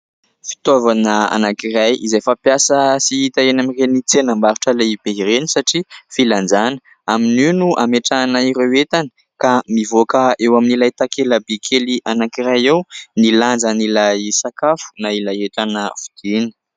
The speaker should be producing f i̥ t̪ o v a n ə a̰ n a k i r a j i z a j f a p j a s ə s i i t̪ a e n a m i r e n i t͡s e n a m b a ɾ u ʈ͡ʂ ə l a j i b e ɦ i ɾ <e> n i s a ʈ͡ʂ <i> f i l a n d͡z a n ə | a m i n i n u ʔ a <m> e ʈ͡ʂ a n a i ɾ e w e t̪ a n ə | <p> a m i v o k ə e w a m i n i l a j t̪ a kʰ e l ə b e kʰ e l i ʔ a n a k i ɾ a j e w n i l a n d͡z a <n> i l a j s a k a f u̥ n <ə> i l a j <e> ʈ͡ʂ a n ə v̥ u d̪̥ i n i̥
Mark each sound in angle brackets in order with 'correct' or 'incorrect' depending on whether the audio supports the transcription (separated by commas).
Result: correct, correct, correct, incorrect, correct, incorrect, correct